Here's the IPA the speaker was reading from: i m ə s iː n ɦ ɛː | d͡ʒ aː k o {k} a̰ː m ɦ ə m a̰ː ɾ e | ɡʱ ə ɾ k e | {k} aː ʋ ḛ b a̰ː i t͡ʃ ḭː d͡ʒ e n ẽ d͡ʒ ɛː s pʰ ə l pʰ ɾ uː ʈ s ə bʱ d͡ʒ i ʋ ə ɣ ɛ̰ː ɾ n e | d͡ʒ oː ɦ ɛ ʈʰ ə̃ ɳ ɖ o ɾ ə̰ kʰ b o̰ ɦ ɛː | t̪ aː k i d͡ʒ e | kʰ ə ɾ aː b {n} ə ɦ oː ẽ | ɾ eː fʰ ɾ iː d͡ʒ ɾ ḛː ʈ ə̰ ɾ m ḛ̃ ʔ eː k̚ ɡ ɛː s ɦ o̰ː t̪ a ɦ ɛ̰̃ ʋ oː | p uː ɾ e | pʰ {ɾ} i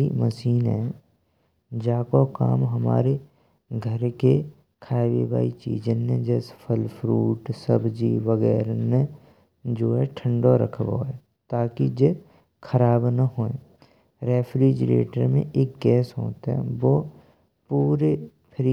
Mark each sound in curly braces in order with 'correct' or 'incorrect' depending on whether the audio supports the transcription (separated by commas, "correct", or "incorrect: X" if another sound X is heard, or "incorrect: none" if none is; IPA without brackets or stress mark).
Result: correct, incorrect: kʰ, correct, correct